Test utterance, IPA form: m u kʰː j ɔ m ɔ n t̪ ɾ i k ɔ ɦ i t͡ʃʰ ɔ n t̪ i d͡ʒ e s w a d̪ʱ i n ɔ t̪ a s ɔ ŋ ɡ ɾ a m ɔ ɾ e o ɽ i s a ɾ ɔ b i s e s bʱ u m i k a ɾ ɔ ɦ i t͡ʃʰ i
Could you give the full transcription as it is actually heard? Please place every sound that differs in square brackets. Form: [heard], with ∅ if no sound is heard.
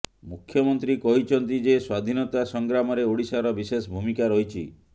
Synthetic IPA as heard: m u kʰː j ɔ m ɔ n t̪ ɾ i k ɔ ɦ i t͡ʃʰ ɔ n t̪ i d͡ʒ e s w a d̪ʱ i n ɔ t̪ a s ɔ ŋ ɡ ɾ a m ɔ ɾ e o ɽ i s a ɾ ɔ b i s e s bʱ u m i k a ɾ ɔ ɦ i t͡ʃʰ i